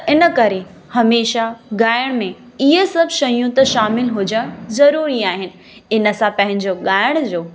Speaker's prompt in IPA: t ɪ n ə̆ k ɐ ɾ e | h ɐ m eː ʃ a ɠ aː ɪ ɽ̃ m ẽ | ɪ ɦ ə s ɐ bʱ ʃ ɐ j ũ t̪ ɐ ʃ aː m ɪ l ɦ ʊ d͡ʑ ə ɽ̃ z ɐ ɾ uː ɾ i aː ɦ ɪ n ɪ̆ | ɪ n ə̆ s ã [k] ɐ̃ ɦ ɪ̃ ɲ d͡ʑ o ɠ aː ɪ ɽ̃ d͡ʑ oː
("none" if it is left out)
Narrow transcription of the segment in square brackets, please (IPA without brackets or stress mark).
p